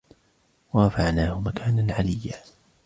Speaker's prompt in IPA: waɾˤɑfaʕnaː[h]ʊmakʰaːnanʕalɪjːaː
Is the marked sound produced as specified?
yes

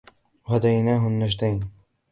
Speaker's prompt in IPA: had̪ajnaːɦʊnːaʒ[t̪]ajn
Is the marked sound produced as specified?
no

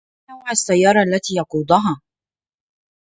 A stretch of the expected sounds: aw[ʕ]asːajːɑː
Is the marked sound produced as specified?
yes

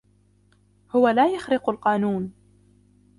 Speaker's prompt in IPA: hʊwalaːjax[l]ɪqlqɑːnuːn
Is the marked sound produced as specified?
no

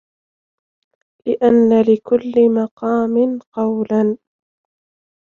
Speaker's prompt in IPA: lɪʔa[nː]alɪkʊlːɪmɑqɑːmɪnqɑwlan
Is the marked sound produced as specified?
yes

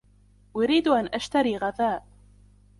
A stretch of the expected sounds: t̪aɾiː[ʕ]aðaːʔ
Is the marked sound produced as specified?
no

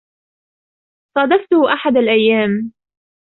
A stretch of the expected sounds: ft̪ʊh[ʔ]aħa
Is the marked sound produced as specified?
yes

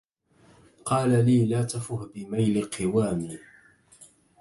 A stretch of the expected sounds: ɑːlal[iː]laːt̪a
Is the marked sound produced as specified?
yes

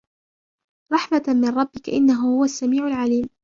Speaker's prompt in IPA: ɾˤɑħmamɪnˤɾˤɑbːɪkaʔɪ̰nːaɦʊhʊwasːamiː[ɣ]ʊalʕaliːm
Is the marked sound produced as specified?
no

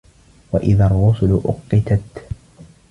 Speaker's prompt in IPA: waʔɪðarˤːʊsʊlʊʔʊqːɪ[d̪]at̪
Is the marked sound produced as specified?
no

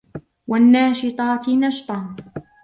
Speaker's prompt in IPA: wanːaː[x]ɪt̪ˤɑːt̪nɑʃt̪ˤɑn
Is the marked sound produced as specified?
no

